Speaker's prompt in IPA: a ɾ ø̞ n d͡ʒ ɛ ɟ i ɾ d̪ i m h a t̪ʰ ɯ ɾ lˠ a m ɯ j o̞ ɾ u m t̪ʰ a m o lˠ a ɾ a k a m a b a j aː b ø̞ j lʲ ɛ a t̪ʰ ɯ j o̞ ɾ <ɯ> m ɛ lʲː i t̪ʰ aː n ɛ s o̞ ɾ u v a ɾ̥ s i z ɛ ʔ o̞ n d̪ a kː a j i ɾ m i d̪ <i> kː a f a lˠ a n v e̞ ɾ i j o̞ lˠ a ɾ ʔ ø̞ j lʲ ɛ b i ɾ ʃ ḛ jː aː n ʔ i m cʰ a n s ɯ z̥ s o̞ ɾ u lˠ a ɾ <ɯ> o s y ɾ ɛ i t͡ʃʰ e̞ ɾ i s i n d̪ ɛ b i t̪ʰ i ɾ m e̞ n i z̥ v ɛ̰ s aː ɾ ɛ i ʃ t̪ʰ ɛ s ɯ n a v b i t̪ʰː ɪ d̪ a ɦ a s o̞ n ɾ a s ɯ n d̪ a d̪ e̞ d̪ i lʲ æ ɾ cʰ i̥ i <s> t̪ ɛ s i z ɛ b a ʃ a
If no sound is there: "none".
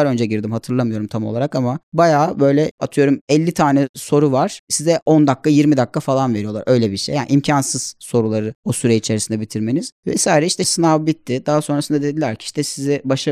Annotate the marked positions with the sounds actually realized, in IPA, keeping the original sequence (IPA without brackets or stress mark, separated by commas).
u, a, ɯ, ʃ